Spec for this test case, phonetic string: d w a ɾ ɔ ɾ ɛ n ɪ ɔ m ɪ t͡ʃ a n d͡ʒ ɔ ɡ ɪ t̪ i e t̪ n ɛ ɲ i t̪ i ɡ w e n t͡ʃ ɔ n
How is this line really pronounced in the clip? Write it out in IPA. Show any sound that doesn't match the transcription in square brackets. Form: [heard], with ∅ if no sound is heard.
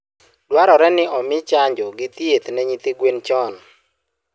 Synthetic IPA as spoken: d w a ɾ ɔ ɾ ɛ n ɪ ɔ m ɪ t͡ʃ a [ɲ] d͡ʒ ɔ ɡ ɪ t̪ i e t̪ n ɛ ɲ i t̪ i ɡ w e n t͡ʃ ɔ n